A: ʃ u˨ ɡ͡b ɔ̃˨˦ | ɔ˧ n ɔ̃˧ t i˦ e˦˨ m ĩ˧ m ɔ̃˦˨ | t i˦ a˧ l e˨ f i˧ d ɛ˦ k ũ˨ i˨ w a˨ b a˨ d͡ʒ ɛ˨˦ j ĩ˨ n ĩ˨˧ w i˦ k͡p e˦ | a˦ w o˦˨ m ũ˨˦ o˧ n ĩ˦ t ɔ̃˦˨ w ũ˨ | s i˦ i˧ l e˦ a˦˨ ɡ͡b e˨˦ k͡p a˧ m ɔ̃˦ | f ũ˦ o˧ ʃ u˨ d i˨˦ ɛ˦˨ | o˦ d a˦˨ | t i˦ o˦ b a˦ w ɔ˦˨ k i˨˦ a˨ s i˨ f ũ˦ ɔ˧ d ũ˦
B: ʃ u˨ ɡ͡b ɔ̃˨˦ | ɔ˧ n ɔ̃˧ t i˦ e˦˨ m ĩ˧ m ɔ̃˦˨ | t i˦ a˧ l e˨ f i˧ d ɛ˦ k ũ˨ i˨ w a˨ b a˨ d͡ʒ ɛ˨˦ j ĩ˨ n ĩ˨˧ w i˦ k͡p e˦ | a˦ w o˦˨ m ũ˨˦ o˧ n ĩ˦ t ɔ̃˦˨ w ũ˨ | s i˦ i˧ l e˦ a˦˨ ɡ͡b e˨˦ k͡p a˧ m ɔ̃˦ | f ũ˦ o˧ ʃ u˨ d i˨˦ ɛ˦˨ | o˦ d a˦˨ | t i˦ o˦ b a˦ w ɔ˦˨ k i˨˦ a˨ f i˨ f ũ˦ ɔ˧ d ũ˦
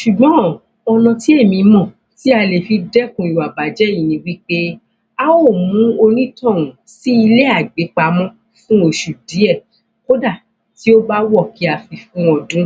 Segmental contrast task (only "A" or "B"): B